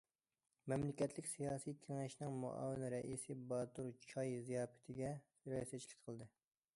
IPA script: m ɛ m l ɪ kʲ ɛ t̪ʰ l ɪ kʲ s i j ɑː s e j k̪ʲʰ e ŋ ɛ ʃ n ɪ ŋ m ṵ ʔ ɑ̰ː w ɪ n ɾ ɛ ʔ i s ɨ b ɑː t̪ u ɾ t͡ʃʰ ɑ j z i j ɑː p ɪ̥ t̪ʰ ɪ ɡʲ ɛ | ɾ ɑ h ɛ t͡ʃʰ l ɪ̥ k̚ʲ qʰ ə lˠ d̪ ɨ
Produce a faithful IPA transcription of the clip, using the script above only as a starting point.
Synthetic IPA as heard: m ɛ m l ɪ kʲ ɛ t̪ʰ l ɪ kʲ s i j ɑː s i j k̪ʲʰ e ŋ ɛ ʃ n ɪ ŋ m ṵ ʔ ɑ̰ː w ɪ n ɾ ɛ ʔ i s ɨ b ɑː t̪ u ɾ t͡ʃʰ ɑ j z i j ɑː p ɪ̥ t̪ʰ ɪ ɡʲ ɛ | ɾ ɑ s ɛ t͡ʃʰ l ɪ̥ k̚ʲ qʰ ə lˠ d̪ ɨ